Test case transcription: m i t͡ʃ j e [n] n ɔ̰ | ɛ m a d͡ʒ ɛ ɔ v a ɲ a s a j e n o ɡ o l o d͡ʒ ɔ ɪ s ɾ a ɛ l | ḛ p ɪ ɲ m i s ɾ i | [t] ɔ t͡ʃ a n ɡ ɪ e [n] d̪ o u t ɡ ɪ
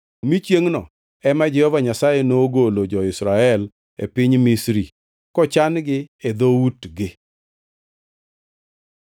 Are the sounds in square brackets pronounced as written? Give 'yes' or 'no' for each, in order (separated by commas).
no, no, no